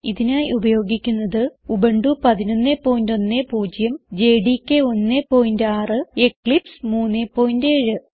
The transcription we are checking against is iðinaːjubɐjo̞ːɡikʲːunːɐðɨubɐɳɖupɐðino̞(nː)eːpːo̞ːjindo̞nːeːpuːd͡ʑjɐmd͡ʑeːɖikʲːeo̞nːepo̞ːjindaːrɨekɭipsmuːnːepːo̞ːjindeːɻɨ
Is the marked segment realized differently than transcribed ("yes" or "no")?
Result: no